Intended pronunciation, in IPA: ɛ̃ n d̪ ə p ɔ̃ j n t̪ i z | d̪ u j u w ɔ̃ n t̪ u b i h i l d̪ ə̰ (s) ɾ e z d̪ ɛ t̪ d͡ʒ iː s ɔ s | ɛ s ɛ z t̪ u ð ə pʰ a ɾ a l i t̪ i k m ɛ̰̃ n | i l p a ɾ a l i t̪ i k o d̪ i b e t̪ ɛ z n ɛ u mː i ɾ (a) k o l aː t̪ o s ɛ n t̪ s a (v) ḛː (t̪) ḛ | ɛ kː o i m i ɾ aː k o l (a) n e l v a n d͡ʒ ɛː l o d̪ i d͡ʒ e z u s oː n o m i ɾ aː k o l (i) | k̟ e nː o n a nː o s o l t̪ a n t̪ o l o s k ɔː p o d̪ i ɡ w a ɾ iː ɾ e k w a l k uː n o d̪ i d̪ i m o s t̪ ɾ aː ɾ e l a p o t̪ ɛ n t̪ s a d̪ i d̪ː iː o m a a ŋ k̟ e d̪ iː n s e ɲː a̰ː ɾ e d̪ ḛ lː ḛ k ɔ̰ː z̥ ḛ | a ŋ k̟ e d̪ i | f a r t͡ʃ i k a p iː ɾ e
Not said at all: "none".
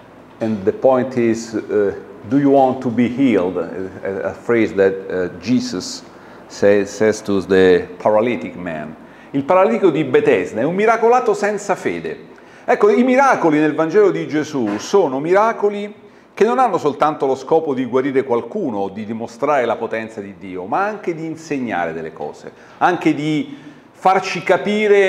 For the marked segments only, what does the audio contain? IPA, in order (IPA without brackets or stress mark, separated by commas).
f, a, f, d̪, i, i